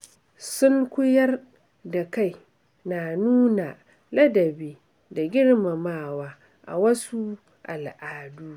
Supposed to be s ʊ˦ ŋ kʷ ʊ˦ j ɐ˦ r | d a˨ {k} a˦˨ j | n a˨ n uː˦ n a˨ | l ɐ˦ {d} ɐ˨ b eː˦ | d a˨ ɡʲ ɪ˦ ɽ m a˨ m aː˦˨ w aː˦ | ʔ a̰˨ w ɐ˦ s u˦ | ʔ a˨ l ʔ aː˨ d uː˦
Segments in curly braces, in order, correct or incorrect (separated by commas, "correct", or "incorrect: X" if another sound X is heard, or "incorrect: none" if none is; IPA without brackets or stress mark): correct, correct